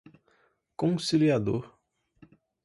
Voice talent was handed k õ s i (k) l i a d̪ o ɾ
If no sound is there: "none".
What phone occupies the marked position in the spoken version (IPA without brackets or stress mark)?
none